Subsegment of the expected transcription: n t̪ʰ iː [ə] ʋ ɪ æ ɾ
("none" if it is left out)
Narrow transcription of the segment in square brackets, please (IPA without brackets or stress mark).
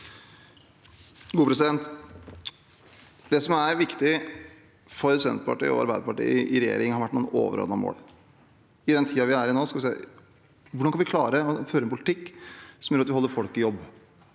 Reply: ɑ